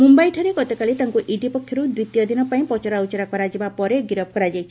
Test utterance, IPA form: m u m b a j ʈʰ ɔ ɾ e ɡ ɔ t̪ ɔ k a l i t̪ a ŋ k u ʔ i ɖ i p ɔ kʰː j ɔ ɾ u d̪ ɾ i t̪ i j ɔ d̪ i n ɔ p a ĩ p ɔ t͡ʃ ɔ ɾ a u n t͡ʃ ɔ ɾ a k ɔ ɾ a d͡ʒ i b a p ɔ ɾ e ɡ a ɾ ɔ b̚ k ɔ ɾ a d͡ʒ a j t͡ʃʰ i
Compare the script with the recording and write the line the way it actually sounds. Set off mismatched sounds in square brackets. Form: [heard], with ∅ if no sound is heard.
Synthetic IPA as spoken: m u m b a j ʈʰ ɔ ɾ e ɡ ɔ t̪ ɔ k a l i t̪ a ŋ k u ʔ i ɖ i p ɔ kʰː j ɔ ɾ u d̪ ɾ i t̪ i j ɔ d̪ i n ɔ p a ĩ p ɔ t͡ʃ ɔ ɾ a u [∅] t͡ʃ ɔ ɾ a k ɔ ɾ a d͡ʒ i b a p ɔ ɾ e ɡ [i] ɾ ɔ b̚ k ɔ ɾ a d͡ʒ a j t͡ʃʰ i